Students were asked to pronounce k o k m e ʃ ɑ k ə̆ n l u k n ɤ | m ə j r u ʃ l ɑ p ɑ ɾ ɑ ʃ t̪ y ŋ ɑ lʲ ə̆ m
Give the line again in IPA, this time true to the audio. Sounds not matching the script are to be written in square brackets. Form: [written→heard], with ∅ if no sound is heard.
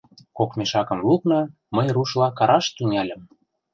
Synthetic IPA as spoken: k o k m e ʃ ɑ k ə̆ [n→m] l u k n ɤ | m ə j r u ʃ l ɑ [p→k] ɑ ɾ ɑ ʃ t̪ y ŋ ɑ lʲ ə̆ m